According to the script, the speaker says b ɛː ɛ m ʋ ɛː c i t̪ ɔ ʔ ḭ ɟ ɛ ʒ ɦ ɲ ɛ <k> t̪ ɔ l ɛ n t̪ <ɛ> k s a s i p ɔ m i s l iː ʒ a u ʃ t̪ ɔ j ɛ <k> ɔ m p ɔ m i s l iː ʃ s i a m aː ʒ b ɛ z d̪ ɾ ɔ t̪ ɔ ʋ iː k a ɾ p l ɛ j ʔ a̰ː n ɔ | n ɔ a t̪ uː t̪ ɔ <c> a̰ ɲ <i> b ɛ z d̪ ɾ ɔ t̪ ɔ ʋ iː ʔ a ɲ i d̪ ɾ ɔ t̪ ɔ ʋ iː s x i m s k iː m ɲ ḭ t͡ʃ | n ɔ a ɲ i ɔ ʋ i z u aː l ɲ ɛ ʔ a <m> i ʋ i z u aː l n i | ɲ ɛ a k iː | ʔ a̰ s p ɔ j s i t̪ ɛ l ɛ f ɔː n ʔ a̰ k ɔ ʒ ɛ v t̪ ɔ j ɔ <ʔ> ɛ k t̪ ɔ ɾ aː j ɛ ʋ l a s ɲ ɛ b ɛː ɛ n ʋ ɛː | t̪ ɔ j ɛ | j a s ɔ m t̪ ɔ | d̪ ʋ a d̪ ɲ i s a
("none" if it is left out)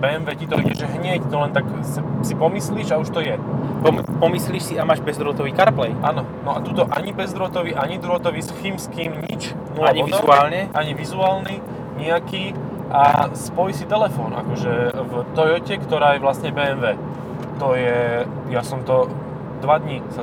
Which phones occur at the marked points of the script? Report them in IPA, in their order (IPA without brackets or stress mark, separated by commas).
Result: c, a, p, ʔ, i, ɲ, c